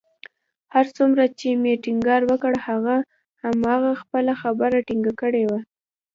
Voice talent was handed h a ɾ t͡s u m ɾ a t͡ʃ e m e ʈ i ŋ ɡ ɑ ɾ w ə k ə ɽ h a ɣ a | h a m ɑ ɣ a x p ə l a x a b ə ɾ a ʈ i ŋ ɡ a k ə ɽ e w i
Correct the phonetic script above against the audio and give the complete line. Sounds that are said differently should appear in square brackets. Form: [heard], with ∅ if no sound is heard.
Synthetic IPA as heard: h a ɾ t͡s u m ɾ a t͡ʃ e m e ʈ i ŋ ɡ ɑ ɾ w ə k ə ɽ h a ɣ a | h a m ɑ ɣ a x p ə l a x a b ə ɾ a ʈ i ŋ ɡ a k ə ɽ e w [a]